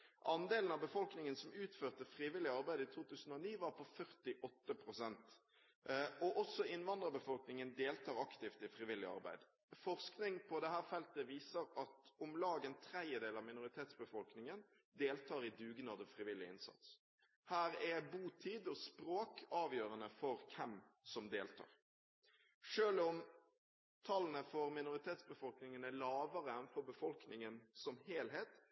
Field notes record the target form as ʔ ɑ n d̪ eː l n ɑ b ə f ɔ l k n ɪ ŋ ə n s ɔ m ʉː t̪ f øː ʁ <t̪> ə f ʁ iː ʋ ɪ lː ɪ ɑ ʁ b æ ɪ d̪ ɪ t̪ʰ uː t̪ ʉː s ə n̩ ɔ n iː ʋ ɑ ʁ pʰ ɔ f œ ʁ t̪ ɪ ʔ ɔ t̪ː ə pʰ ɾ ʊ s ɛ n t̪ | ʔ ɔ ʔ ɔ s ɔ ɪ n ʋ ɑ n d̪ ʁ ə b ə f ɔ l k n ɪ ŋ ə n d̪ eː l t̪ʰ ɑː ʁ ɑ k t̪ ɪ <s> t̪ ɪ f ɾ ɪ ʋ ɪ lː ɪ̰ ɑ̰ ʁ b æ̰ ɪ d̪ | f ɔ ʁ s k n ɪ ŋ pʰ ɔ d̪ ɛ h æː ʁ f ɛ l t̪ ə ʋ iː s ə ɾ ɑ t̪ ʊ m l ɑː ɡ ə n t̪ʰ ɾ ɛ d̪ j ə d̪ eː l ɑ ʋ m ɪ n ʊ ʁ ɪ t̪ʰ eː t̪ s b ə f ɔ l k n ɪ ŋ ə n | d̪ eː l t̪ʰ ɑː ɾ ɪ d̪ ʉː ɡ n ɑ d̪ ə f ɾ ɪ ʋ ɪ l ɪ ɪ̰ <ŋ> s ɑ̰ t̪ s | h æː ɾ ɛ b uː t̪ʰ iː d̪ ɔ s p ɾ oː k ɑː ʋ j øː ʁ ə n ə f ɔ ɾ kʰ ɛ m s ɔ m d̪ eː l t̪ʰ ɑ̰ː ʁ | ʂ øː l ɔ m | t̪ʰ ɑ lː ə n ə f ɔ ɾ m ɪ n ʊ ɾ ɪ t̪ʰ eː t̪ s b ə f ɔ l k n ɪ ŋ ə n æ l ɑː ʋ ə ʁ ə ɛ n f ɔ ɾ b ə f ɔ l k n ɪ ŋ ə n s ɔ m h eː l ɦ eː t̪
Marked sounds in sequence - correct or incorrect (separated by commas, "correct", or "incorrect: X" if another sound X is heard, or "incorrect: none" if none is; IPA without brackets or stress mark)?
correct, incorrect: f, incorrect: n